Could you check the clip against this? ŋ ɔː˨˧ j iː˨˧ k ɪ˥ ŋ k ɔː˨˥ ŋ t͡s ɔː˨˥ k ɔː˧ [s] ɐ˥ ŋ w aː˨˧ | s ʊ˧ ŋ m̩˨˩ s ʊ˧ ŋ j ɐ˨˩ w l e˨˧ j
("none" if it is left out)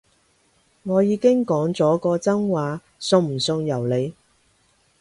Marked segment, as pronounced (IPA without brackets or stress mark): t͡s